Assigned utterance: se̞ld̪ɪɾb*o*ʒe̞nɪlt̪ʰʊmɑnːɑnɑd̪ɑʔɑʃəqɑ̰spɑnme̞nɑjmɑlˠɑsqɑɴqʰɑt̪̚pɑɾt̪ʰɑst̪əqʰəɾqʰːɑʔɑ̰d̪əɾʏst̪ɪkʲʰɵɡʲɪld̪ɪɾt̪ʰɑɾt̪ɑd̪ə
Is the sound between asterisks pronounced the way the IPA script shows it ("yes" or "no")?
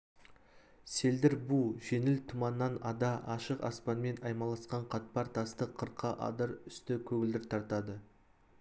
no